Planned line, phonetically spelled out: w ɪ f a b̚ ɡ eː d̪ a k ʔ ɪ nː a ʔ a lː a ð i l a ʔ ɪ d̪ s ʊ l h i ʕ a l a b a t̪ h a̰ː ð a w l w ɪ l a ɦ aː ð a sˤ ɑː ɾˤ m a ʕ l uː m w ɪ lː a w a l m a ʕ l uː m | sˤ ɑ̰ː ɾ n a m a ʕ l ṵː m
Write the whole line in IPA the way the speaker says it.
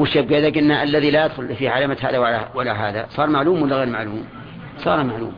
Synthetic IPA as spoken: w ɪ ʃ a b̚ ɡ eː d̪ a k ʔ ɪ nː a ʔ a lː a ð i l a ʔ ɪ d̪ x ʊ l f i ʕ a l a m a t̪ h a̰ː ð a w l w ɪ l a ɦ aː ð a sˤ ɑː ɾˤ m a ʕ l uː m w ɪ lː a ɣ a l m a ʕ l uː m | sˤ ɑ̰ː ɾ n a m a ʕ l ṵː m